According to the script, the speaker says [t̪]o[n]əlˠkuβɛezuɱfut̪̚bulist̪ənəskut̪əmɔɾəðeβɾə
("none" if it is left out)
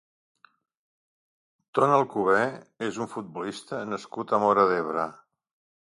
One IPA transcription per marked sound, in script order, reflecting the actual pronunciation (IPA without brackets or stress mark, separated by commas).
t̪, n